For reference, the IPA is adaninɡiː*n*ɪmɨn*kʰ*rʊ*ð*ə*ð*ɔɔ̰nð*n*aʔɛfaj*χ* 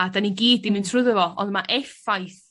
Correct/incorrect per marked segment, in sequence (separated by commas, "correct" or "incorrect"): incorrect, incorrect, correct, incorrect, incorrect, incorrect